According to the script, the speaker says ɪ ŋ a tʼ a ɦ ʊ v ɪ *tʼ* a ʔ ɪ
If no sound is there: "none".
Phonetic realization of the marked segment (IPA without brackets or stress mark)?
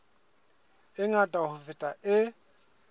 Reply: tʼ